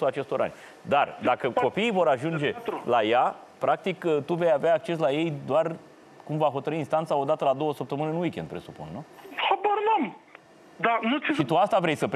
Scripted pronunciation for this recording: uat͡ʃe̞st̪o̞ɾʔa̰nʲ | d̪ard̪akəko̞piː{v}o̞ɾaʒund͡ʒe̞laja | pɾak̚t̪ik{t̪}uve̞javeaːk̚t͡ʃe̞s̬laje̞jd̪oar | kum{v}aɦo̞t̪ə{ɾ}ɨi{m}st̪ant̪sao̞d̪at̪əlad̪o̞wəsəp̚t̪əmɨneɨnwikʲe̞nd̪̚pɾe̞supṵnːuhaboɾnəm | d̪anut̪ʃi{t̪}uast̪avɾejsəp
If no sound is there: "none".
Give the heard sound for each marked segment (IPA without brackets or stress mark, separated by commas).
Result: v, t̪, v, ɾ, n, t̪